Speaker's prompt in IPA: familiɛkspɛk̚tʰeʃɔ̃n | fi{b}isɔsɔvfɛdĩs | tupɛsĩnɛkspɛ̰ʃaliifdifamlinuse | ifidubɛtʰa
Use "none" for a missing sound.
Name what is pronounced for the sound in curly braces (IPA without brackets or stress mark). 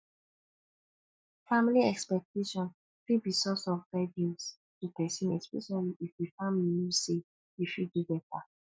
b